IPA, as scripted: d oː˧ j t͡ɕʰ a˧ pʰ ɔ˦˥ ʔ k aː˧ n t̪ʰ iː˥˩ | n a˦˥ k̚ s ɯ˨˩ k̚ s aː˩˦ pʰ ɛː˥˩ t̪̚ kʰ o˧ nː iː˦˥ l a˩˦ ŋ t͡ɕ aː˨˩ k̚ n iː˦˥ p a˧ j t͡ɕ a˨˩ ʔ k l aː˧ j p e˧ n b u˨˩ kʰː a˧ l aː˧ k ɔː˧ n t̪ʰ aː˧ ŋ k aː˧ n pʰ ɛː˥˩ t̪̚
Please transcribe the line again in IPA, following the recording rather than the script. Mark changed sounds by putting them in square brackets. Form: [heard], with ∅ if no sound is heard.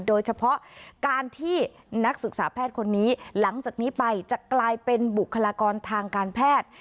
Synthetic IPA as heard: d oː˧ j t͡ɕʰ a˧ pʰ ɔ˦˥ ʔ k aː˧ n t̪ʰ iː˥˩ | n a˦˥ k̚ s ɯ˨˩ k̚ s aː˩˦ pʰ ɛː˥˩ t̪̚ kʰ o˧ nː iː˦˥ l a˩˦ ŋ t͡ɕ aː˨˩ k̚ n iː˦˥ p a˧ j t͡ɕ a˨˩ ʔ k l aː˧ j p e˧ n b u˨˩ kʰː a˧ l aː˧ k ɔː˧ n t̪ʰ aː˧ ŋ k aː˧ n pʰ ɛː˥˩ t̪̚